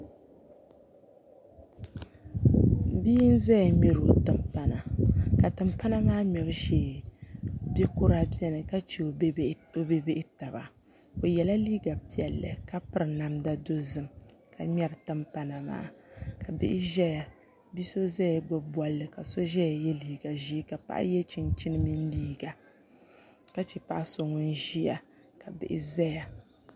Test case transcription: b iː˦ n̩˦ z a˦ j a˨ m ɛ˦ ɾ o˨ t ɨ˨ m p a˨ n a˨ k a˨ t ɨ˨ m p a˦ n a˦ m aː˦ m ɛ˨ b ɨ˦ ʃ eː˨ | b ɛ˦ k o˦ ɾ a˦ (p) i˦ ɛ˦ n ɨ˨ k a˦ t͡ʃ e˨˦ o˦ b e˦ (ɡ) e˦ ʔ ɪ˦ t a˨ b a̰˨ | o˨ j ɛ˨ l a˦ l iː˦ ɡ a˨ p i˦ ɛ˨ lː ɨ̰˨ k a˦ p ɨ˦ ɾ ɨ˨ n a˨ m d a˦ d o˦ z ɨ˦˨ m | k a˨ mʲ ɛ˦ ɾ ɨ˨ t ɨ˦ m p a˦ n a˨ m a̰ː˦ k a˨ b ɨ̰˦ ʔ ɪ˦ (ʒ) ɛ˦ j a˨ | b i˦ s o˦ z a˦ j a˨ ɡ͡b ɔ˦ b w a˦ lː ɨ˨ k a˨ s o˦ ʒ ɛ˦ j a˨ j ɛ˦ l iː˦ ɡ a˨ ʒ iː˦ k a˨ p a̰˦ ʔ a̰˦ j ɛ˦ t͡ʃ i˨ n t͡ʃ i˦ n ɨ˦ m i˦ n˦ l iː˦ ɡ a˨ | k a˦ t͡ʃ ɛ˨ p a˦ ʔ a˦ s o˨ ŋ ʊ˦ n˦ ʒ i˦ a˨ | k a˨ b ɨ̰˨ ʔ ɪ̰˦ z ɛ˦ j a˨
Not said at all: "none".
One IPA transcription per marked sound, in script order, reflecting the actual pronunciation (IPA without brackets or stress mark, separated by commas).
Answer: b, b, ʒ